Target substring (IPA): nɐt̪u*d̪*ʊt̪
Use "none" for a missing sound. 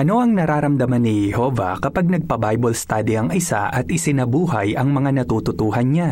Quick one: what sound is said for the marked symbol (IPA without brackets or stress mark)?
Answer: t̪